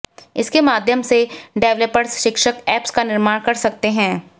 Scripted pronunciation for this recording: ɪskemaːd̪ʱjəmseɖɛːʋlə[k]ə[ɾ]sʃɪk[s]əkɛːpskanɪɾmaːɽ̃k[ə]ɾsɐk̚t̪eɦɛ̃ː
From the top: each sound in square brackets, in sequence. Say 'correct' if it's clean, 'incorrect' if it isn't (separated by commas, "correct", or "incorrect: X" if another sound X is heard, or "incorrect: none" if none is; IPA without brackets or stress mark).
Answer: incorrect: p, correct, incorrect: ʃ, incorrect: ɐ